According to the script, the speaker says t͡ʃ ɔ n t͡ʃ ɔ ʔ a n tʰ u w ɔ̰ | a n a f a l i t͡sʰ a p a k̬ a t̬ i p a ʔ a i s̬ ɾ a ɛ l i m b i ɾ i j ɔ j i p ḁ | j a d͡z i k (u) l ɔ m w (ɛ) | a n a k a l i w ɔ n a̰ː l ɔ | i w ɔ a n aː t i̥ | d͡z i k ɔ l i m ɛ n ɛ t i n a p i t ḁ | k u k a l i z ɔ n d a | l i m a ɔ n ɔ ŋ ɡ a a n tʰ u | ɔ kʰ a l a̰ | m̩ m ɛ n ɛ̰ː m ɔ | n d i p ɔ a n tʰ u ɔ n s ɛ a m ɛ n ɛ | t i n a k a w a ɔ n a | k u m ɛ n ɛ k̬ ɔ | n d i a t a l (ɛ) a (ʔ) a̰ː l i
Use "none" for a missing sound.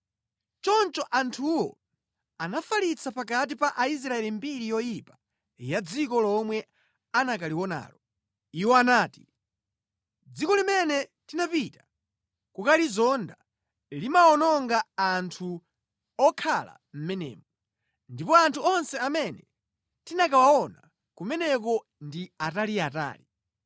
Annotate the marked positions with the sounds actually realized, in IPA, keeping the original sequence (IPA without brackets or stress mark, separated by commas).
ɔ, ɛ, i, t